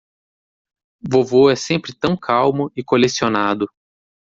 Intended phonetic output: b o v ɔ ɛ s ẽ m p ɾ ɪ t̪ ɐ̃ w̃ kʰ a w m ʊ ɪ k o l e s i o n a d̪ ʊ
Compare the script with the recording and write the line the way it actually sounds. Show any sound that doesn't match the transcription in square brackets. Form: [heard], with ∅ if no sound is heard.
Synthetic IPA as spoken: [v] o v [o] ɛ s ẽ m p ɾ ɪ t̪ ɐ̃ w̃ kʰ a w m ʊ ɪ k o l e s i o n a d̪ ʊ

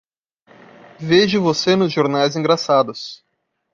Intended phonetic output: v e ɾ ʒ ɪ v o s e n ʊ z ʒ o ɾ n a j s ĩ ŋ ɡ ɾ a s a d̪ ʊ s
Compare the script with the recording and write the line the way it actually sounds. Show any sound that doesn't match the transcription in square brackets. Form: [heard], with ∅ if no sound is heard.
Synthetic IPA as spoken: v e [∅] ʒ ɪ v o s e n ʊ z ʒ o ɾ n a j [z] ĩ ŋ ɡ ɾ a s a d̪ ʊ s

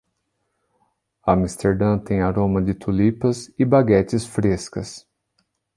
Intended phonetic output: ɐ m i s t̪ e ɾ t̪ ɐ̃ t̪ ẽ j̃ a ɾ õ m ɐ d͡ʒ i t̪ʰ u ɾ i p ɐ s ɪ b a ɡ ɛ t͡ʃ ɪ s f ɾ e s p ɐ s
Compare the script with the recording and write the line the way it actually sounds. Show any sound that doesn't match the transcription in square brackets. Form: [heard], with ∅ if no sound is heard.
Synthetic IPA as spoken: ɐ m i s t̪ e ɾ [d̪] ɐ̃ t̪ ẽ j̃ a ɾ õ m ɐ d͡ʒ [ɪ] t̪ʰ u [l] i p ɐ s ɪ b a ɡ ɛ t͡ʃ ɪ s f ɾ e s [k] ɐ s

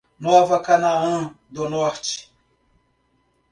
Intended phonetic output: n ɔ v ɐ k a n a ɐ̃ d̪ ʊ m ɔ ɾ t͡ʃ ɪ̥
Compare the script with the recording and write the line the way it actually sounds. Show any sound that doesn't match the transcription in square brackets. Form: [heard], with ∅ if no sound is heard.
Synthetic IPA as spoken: n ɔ v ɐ k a n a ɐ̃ d̪ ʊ [n] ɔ ɾ t͡ʃ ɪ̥

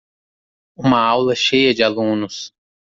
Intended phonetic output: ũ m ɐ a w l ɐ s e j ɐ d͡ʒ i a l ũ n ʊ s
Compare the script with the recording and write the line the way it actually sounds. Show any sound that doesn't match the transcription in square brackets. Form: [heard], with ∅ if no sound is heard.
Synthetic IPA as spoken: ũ m ɐ a w l ɐ [ʃ] e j ɐ d͡ʒ [ɪ] a l ũ n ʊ s

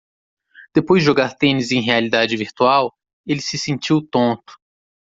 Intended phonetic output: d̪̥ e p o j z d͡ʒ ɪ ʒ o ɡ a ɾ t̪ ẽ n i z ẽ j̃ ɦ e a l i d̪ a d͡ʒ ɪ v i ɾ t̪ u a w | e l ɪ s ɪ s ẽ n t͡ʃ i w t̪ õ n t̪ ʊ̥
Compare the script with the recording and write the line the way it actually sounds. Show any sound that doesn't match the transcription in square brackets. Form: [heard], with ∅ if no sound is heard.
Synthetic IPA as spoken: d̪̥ e p o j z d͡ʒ ɪ ʒ o ɡ a ɾ t̪ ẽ n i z ẽ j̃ ɦ e a l i d̪ a d͡ʒ ɪ v i ɾ t̪ u a w | e l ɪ s ɪ s ẽ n t͡ʃ i w t̪ õ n t̪ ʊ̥

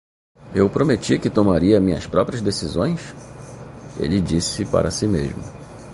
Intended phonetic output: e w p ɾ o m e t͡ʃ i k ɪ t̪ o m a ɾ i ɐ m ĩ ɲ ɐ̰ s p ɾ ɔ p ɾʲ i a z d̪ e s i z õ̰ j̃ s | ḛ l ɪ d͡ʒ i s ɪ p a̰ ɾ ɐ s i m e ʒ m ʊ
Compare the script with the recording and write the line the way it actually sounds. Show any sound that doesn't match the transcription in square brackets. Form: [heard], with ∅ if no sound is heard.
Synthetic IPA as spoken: e w p ɾ o m e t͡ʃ i k ɪ t̪ o m a ɾ i ɐ m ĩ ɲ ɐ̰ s p ɾ ɔ p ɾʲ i [ɐ] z d̪ e s i z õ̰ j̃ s | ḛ l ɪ d͡ʒ i s ɪ p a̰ ɾ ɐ s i m e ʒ m ʊ

